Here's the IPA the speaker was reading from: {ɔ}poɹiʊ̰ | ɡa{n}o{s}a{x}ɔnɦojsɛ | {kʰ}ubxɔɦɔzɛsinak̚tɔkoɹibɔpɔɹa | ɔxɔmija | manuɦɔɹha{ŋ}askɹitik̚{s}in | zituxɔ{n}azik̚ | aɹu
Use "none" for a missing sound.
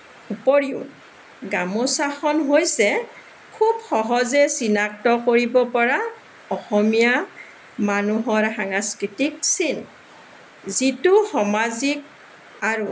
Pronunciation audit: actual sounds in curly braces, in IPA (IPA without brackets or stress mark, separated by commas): u, m, s, x, kʰ, ŋ, s, m